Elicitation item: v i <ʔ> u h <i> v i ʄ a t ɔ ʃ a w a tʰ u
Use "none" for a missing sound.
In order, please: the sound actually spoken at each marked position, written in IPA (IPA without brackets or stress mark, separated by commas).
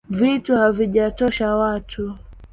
t, a